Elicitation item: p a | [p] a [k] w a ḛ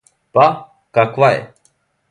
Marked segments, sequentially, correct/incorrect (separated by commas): incorrect, correct